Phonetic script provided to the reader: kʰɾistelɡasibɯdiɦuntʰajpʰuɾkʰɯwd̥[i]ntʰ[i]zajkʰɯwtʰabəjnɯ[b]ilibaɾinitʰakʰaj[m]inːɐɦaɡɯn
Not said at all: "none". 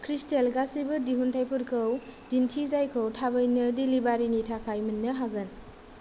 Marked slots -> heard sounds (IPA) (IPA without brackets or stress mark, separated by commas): i, i, d, m